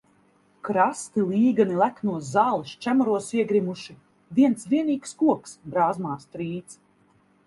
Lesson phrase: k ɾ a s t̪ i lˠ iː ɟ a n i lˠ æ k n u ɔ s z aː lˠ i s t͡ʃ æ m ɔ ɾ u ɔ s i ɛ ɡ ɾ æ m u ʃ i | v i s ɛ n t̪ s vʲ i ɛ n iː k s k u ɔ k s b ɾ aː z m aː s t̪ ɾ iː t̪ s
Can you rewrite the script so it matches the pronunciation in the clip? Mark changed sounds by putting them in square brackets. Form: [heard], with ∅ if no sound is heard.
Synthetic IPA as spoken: k ɾ a s t̪ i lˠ iː [ɡ] a n i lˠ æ k n u ɔ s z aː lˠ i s t͡ʃ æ m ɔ ɾ u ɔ s i ɛ ɡ ɾ [i] m u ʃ i | v i [∅] ɛ n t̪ s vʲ i ɛ n iː k s k u ɔ k s b ɾ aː z m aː s t̪ ɾ iː t̪ s